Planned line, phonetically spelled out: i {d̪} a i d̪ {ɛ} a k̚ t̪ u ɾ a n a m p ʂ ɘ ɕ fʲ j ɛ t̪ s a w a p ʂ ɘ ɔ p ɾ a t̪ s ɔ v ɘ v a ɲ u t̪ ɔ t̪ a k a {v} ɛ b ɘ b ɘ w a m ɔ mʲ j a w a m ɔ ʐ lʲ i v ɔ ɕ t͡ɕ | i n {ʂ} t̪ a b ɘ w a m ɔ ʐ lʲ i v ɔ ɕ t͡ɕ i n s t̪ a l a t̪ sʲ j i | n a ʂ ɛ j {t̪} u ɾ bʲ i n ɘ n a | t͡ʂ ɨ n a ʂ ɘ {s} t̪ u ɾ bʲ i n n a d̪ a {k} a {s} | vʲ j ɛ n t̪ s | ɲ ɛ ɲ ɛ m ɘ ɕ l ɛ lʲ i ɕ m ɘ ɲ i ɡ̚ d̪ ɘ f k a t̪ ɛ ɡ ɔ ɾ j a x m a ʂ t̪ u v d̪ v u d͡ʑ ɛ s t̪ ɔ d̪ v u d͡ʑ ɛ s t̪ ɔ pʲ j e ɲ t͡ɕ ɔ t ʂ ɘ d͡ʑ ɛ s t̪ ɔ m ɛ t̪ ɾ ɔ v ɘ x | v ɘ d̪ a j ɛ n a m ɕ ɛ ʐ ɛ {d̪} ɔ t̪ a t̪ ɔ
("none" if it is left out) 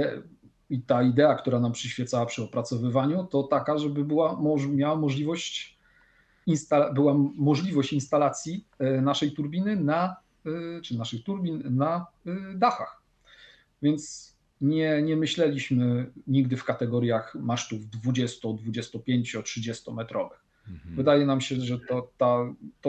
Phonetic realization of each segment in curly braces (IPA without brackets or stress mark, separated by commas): t̪, ɛ, ʐ, s, t̪, x, x, x, t̪